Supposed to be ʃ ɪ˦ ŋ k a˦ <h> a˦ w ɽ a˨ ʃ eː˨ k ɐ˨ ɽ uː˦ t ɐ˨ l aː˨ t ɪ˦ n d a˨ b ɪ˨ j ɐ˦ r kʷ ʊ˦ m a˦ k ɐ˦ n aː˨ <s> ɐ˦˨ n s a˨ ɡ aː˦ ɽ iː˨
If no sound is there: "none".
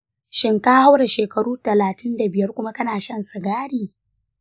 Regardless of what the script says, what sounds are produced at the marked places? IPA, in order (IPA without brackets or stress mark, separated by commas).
h, ʃ